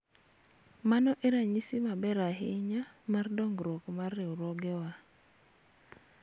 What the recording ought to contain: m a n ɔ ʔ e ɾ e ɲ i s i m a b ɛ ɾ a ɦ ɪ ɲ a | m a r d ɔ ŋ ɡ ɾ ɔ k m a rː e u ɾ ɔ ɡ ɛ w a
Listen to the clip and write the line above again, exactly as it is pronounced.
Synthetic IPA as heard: m a n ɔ ʔ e ɾ a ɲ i s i m a b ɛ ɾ a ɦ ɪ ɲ a | m a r d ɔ ŋ ɡ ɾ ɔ k m a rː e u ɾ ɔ ɡ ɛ w a